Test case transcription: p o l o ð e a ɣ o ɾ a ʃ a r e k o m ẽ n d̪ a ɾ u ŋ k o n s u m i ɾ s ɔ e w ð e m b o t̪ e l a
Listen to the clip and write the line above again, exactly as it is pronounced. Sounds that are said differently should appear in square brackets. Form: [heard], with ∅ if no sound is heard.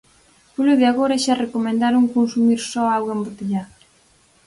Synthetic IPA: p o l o ð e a ɣ o ɾ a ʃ a r e k o m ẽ n d̪ a ɾ u ŋ k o n s u m i ɾ s ɔ [a] w [ɣ] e m b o t̪ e [ʎ] a